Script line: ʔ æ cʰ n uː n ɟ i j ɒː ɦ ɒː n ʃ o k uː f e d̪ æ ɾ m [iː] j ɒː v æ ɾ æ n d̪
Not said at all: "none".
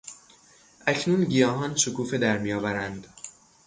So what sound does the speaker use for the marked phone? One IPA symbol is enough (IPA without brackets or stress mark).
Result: i